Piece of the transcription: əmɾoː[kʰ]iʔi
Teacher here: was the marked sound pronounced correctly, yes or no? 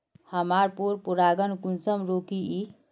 no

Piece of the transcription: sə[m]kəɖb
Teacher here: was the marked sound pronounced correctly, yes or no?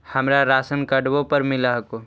no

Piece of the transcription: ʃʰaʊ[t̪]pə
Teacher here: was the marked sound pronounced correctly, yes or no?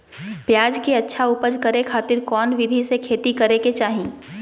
no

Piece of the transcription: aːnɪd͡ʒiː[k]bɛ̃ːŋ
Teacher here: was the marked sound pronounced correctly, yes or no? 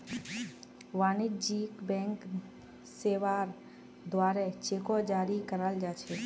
yes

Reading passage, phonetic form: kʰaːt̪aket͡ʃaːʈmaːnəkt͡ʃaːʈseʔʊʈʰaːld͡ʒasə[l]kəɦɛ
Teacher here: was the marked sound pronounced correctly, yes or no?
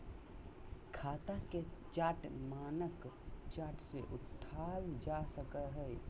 no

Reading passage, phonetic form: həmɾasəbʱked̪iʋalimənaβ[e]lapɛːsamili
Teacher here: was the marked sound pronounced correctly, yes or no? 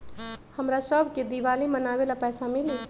yes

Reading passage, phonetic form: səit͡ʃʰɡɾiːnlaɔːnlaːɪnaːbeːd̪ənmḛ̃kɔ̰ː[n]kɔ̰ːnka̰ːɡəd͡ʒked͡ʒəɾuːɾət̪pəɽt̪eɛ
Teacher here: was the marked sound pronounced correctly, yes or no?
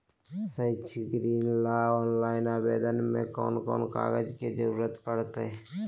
yes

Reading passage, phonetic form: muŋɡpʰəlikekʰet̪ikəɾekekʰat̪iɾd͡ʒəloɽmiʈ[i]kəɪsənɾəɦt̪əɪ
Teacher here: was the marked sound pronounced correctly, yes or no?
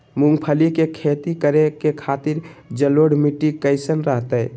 yes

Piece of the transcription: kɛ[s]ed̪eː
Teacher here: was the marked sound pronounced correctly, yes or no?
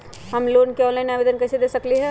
yes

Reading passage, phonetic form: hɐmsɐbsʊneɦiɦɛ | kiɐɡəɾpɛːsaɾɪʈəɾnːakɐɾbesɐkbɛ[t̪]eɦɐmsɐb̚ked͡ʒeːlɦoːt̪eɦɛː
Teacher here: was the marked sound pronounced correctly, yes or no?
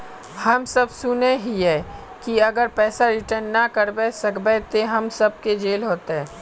yes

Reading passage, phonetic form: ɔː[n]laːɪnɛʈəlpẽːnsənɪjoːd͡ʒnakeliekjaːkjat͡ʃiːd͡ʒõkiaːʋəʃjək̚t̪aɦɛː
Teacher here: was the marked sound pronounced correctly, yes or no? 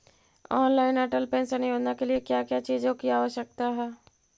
yes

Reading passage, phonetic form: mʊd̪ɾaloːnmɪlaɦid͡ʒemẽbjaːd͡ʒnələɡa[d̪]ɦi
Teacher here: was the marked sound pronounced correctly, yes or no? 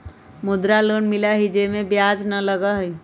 no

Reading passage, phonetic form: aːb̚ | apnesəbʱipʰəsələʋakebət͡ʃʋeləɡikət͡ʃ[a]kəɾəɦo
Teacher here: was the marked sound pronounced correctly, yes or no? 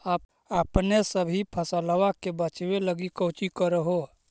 no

